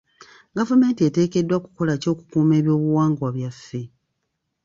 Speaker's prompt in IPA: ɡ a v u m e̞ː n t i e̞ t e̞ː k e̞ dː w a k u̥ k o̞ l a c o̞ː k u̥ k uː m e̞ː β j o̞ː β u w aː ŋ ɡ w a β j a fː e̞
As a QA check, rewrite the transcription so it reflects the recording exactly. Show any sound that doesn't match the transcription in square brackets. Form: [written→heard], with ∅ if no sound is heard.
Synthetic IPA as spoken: ɡ a v u m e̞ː n t i e̞ t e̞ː k e̞ dː w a k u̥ k o̞ l a c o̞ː k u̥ k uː m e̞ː β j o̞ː β u w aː ŋ ɡ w a β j a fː e̞